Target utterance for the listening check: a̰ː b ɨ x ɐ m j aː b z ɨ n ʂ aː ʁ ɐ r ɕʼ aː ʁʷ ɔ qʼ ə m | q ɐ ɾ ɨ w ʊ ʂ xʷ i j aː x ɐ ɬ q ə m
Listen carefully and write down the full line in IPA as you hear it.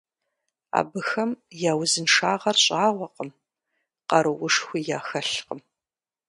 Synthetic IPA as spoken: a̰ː b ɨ x ɐ m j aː w z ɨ n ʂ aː ʁ ɐ r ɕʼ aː ʁʷ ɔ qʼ ə m | q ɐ ɾ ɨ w ʊ ʂ xʷ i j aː x ɐ ɬ q ə m